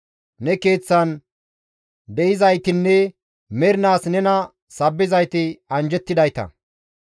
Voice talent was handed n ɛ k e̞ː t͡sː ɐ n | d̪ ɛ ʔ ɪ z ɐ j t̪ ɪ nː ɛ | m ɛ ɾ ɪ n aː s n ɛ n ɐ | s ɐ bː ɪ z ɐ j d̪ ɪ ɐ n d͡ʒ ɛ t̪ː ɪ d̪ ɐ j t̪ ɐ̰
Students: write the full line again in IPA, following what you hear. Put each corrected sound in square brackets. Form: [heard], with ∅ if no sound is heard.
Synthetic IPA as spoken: n ɛ k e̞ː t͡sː ɐ n | d̪ ɛ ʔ ɪ z ɐ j t̪ ɪ nː ɛ | m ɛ ɾ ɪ n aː s n ɛ n ɐ | s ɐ bː ɪ z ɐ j [t̪] ɪ ɐ n d͡ʒ ɛ t̪ː ɪ d̪ ɐ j t̪ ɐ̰